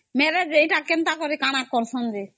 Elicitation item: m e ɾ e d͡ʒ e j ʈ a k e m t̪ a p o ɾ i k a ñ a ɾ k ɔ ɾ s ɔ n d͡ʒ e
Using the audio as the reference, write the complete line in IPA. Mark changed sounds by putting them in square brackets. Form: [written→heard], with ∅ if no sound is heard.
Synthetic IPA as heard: m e ɾ e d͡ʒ e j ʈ a k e [m→n] t̪ a [p→k] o ɾ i k a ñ a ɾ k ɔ ɾ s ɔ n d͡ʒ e